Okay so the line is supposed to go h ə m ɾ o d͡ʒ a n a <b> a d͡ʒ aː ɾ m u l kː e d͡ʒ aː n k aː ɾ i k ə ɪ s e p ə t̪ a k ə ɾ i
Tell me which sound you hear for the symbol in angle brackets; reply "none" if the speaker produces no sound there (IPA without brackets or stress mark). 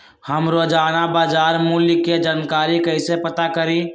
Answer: b